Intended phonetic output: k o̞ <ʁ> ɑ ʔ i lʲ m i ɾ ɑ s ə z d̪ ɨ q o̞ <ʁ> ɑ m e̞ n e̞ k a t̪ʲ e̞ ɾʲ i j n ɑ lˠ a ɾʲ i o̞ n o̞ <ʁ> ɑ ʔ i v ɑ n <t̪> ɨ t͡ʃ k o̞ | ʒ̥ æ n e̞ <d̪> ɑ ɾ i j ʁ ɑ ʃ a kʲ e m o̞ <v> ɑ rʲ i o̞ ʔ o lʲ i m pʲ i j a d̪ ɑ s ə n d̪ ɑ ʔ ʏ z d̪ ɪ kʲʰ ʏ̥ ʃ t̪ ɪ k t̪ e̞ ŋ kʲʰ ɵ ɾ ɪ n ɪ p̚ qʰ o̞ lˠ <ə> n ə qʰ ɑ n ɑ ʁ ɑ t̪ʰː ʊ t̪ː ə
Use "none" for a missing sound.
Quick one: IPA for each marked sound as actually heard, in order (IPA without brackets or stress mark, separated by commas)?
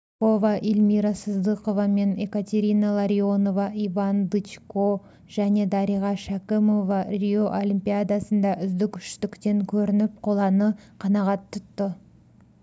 v, v, v, d̪, d̪, v, ɑ